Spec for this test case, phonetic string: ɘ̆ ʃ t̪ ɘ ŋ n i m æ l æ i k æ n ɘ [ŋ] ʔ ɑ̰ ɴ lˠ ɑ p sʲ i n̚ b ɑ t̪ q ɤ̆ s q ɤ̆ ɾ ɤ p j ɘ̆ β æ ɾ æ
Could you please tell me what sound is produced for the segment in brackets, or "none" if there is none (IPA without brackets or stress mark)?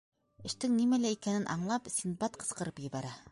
n